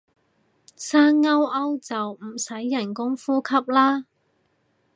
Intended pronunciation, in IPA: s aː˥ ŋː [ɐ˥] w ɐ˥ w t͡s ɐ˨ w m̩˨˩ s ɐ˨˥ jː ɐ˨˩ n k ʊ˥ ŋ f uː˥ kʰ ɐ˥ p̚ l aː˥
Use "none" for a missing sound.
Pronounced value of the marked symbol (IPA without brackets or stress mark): ɐ˥